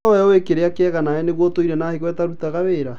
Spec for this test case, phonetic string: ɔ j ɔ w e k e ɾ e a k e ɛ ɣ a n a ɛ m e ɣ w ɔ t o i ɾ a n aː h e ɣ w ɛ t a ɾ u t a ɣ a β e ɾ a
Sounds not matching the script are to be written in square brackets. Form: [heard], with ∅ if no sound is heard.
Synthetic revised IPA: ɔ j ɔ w e k e ɾ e a k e ɛ ɣ a n a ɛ [n] e ɣ w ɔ t o i ɾ [ɛ] n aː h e ɣ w ɛ t a ɾ u t a ɣ a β e ɾ a